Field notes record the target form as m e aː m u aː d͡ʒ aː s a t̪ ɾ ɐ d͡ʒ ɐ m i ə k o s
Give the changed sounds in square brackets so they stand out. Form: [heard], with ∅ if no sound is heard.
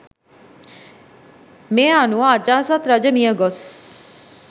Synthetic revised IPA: m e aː [n] u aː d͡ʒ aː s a t̪ ɾ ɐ d͡ʒ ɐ m i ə [ɡ] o s